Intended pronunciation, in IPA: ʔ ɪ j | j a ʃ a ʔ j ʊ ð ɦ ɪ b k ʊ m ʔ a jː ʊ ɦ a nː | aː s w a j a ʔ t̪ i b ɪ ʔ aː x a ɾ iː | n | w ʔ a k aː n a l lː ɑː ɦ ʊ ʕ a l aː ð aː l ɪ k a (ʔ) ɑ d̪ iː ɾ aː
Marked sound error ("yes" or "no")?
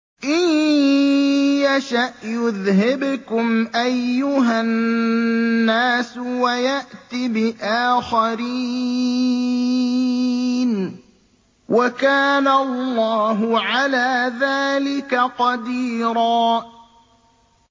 yes